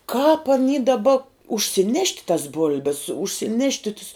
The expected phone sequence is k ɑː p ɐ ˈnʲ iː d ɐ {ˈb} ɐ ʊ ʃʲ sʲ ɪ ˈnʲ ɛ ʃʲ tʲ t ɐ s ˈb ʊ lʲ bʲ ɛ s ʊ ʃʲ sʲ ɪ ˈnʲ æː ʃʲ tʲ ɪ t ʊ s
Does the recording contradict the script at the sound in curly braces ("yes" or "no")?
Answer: no